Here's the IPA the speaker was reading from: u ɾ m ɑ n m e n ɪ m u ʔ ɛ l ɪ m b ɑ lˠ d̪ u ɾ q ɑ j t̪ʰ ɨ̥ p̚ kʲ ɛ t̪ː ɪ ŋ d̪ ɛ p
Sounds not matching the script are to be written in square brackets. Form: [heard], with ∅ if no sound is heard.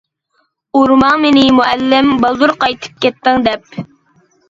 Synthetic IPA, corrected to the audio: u ɾ m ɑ [ŋ] m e n ɪ m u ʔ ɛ [lː] ɪ m b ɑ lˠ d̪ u ɾ q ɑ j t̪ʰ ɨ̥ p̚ kʲ ɛ t̪ː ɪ ŋ d̪ ɛ p

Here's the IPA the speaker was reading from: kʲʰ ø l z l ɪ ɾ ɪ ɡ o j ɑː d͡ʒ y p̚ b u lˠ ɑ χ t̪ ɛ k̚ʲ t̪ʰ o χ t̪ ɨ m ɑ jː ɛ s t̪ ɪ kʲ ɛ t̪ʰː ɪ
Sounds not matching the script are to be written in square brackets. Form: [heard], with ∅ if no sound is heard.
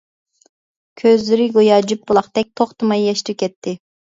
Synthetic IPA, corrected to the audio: kʲʰ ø [∅] z l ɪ ɾ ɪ ɡ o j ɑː d͡ʒ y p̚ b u lˠ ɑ χ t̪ ɛ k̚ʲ t̪ʰ o χ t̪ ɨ m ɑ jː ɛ [ʃ] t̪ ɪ kʲ ɛ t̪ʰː ɪ

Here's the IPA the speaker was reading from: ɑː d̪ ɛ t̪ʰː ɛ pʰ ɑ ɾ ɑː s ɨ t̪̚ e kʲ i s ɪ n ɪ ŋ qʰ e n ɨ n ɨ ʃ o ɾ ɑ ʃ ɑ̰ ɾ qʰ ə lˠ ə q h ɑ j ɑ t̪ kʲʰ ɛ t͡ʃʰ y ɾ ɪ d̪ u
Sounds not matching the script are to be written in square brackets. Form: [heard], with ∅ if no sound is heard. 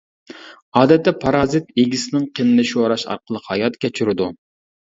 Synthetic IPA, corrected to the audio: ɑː d̪ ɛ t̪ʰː ɛ pʰ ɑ ɾ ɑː [z] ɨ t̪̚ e [ɡʲ] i s ɪ n ɪ ŋ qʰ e n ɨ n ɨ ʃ o ɾ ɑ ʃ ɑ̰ ɾ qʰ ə lˠ ə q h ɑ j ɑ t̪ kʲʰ ɛ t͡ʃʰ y ɾ ɪ d̪ u

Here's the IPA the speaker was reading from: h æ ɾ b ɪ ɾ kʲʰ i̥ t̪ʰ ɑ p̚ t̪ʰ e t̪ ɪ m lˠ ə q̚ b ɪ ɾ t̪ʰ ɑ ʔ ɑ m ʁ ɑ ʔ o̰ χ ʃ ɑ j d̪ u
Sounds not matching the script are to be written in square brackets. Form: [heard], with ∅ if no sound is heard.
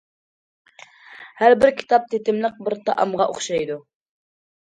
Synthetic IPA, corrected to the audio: h æ ɾ b ɪ ɾ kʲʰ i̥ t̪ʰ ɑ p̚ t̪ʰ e t̪ ɪ m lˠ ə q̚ b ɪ ɾ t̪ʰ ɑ ʔ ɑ m ʁ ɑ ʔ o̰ χ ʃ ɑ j d̪ u

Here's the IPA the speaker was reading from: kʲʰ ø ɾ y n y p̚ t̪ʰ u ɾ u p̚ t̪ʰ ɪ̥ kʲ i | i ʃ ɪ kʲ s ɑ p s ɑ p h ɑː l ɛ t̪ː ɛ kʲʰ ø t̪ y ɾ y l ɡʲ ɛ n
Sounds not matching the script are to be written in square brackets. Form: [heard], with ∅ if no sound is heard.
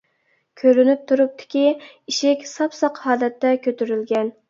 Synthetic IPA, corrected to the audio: kʲʰ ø ɾ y n y p̚ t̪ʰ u ɾ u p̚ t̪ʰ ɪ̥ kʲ i | i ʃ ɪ kʲ s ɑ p s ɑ [q] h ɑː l ɛ t̪ː ɛ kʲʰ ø t̪ y ɾ y l ɡʲ ɛ n

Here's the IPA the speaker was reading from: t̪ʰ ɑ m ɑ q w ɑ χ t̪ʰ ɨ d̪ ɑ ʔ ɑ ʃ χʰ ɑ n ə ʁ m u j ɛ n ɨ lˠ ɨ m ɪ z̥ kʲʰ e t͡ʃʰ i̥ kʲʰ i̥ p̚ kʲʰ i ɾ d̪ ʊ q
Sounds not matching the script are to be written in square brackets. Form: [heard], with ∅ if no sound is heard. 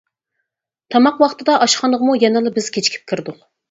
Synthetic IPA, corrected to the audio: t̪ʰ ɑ m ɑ q w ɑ χ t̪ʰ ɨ d̪ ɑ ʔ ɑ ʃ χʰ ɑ n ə ʁ m u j ɛ n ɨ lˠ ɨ [b] ɪ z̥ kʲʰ e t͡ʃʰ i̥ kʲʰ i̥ p̚ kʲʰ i ɾ d̪ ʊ q

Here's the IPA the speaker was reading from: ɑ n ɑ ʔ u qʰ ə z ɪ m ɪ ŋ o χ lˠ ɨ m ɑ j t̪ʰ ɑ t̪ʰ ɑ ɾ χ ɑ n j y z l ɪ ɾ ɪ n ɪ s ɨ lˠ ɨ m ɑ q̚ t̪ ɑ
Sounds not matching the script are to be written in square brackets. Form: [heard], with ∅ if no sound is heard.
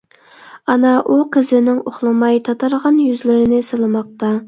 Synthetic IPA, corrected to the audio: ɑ n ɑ ʔ u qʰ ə z ɪ [n] ɪ ŋ o χ lˠ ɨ m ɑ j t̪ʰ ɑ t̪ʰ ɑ ɾ [ʁ] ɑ n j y z l ɪ ɾ ɪ n ɪ s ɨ lˠ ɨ m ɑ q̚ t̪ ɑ

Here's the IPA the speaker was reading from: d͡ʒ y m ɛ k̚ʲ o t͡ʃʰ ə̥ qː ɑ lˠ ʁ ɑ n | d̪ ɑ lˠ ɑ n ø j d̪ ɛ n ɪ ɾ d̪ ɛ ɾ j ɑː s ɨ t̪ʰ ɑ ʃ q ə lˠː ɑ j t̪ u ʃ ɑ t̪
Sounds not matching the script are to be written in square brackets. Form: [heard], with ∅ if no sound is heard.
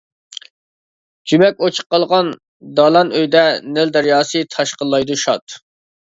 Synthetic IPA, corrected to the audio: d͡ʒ y m ɛ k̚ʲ o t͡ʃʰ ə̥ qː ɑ lˠ ʁ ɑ n | d̪ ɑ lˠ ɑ n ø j d̪ ɛ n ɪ [l] d̪ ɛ ɾ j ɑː s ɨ t̪ʰ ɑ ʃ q ə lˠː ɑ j [d̪] u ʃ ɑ t̪

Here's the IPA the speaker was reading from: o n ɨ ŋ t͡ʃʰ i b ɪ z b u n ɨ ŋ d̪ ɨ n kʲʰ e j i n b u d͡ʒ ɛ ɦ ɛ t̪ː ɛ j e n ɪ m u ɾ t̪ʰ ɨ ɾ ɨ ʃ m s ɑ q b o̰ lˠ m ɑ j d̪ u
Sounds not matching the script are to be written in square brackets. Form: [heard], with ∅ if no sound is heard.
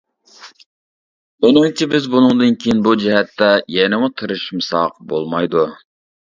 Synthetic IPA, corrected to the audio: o n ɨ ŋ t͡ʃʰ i b ɪ z b u n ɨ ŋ d̪ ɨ n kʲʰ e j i n b u d͡ʒ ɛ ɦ ɛ t̪ː ɛ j [ɛ] n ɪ m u [∅] t̪ʰ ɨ ɾ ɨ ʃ m s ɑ q b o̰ lˠ m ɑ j d̪ u

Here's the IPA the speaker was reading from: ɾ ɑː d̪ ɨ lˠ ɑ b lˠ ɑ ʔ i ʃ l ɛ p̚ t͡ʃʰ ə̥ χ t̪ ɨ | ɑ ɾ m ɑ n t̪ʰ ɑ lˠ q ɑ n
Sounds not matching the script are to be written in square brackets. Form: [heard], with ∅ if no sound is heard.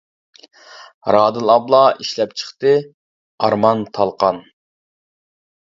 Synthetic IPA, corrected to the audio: ɾ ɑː d̪ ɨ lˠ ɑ b lˠ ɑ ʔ i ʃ l ɛ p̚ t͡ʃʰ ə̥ χ t̪ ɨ | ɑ ɾ m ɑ n t̪ʰ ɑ lˠ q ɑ n

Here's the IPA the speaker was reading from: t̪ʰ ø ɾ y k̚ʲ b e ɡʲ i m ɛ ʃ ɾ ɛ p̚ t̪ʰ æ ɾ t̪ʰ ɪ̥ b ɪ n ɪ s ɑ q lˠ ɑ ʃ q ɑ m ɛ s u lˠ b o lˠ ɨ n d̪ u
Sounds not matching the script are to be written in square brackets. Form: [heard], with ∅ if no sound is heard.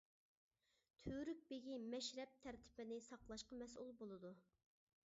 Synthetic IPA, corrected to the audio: t̪ʰ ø ɾ y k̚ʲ b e ɡʲ i m ɛ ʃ ɾ ɛ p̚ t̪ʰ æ ɾ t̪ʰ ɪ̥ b ɪ n ɪ s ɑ q lˠ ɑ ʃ q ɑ m ɛ s u lˠ b o lˠ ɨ [∅] d̪ u

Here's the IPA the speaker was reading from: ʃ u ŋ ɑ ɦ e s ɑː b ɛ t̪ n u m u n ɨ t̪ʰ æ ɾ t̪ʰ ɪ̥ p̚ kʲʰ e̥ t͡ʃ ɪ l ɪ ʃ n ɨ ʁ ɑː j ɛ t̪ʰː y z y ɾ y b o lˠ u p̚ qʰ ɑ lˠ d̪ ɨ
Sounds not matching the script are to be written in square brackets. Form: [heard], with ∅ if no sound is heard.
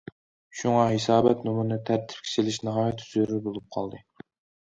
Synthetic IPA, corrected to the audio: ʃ u ŋ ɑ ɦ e s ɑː b ɛ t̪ n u m u n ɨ t̪ʰ æ ɾ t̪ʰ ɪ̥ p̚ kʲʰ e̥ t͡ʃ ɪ l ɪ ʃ n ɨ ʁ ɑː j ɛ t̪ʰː y z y ɾ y b o lˠ u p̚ qʰ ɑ lˠ d̪ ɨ

